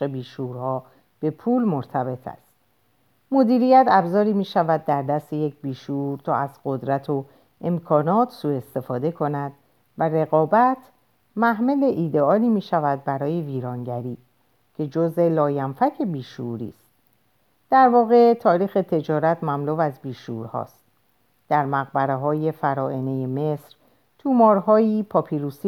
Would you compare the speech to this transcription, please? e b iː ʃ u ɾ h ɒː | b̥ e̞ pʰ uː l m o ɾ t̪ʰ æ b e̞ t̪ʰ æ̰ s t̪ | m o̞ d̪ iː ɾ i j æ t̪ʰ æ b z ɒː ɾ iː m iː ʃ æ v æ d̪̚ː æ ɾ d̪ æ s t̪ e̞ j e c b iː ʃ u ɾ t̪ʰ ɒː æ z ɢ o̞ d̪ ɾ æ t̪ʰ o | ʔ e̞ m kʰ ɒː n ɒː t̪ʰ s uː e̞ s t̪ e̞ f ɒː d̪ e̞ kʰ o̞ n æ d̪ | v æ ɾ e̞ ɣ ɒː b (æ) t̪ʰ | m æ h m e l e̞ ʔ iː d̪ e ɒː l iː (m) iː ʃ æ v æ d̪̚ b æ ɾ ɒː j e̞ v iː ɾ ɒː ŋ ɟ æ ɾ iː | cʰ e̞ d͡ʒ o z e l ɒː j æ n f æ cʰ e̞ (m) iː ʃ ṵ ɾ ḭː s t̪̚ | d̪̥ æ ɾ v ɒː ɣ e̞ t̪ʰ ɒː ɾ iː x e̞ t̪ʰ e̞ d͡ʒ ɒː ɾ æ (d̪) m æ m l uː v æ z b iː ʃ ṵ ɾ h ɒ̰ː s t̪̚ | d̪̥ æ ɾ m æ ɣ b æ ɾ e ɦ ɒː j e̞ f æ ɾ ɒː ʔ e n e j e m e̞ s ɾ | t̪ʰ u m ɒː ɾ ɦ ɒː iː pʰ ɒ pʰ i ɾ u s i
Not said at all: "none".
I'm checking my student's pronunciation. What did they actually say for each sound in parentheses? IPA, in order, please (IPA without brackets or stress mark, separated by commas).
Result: æ, m, b, t̪